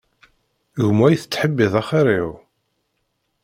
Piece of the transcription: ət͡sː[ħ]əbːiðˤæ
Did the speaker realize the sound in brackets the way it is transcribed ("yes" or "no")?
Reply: yes